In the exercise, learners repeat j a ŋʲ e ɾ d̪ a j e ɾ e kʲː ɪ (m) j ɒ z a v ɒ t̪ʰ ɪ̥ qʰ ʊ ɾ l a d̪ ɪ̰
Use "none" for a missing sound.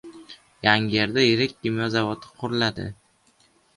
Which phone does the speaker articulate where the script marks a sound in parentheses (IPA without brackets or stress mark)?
m